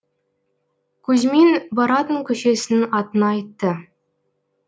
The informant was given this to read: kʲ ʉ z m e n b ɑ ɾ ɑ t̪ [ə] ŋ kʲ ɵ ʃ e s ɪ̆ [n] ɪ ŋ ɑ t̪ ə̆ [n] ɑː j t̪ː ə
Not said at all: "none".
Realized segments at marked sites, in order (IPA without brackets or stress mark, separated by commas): ə, n, n